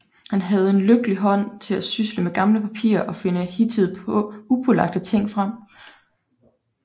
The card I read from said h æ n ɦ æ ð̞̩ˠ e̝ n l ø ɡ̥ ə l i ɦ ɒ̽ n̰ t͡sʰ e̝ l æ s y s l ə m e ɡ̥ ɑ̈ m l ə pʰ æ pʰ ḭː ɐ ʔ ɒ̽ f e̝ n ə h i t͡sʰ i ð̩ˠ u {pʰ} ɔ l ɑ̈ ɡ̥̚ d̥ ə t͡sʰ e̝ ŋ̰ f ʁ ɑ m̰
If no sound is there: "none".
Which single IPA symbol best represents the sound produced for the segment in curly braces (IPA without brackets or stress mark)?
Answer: pʰ